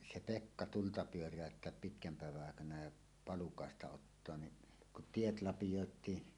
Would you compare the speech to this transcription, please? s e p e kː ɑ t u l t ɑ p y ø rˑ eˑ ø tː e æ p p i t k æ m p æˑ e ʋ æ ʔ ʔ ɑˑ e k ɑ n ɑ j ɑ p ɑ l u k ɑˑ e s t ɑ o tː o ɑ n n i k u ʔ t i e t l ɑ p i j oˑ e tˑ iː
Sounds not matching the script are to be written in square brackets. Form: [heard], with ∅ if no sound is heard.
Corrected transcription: s e p e kː ɑ t u l t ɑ p y ø rˑ [æˑ] ø tː e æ p p i t k æ m p æˑ e ʋ æ ʔ ʔ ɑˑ e k ɑ n ɑ j ɑ p ɑ l u k ɑˑ e s t ɑ o tː o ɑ n n i k u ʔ t i e t l ɑ p i j oˑ e tˑ iː